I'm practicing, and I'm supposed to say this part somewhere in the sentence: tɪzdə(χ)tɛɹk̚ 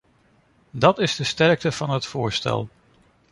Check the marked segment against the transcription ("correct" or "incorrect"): incorrect